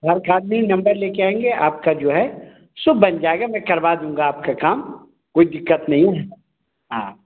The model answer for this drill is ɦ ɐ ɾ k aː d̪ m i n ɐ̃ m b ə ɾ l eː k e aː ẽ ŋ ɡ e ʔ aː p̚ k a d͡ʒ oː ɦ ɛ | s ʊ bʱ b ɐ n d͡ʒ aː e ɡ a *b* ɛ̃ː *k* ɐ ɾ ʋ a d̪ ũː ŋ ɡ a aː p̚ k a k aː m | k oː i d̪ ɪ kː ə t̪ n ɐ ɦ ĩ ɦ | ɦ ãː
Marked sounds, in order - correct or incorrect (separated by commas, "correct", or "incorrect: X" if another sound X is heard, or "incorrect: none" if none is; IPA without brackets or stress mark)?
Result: incorrect: m, correct